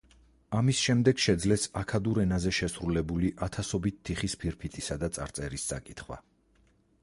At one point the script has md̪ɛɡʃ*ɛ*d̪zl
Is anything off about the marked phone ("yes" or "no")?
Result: no